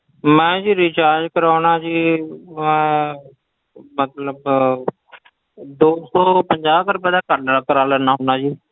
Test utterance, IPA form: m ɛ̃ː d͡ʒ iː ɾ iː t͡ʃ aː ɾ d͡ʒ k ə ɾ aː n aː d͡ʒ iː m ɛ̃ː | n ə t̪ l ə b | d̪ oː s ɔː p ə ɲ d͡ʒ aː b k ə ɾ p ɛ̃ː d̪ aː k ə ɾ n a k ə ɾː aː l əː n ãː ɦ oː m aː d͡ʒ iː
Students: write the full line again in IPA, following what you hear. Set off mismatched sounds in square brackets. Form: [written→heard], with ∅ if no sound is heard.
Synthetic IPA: m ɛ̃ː d͡ʒ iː ɾ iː t͡ʃ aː ɾ d͡ʒ k ə ɾ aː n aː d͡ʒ iː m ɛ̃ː | [n→m] ə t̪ l ə b | d̪ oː s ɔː p ə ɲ d͡ʒ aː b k ə ɾ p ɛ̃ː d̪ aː k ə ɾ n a k ə [ɾː→ɾ] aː l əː n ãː ɦ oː [m→n] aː d͡ʒ iː